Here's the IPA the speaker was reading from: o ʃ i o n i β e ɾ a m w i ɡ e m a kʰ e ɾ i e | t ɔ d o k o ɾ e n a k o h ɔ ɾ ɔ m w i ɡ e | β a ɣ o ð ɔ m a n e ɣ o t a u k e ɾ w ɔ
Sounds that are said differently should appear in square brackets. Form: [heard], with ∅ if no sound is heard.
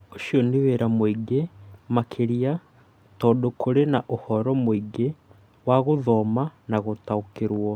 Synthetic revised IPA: o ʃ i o n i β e ɾ a m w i ɡ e m a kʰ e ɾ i [a] | t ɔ d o k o ɾ e n a [ʔ] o h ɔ ɾ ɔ m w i ɡ e | [w] a ɣ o ð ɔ m a n [a] ɣ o t a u k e ɾ w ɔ